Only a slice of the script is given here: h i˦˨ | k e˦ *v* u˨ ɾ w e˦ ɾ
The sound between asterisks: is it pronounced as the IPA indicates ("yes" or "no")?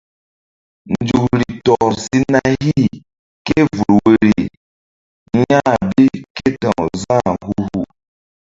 yes